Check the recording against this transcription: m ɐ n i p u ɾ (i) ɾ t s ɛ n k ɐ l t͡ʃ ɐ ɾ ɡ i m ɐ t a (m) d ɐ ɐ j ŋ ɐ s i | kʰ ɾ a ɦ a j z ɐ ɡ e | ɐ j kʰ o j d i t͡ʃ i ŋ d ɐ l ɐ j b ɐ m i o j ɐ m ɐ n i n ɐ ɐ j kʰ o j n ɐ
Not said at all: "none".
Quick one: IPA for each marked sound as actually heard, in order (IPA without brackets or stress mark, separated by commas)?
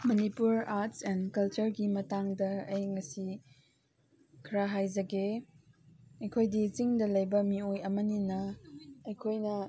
a, ŋ